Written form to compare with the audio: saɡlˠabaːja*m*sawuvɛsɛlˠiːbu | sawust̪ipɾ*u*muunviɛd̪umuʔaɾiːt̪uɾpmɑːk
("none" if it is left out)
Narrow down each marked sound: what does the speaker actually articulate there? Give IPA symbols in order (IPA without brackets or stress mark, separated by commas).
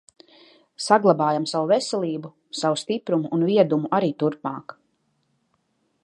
m, u